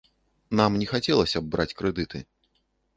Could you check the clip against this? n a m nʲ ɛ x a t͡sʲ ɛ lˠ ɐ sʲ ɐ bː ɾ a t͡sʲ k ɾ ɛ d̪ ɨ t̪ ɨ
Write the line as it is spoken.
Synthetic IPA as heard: n a m nʲ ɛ x a t͡sʲ ɛ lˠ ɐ sʲ ɐ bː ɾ a t͡sʲ k ɾ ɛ d̪ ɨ t̪ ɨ